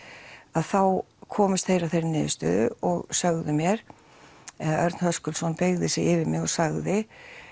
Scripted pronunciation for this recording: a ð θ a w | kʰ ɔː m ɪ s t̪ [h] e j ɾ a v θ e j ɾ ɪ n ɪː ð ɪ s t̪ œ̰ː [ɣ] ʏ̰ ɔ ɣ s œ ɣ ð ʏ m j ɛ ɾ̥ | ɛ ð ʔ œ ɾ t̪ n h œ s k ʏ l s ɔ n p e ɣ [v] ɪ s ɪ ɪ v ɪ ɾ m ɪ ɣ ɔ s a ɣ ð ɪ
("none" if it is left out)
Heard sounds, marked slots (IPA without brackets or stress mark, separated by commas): θ, ð, ð